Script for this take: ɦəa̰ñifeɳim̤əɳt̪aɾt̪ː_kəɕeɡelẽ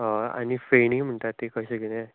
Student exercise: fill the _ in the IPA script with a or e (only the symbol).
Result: e